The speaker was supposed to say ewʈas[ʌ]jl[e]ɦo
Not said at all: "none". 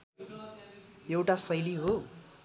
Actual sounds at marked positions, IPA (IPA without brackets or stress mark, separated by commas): ʌ, i